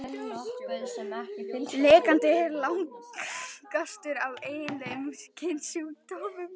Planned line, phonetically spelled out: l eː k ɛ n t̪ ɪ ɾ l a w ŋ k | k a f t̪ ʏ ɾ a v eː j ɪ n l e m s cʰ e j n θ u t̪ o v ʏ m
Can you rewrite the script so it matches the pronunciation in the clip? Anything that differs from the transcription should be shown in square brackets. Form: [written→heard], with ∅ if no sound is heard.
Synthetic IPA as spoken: l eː k [ɛ→a] n t̪ ɪ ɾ l a w ŋ k | k a [f→s] t̪ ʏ ɾ a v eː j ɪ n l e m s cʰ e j n [θ→s] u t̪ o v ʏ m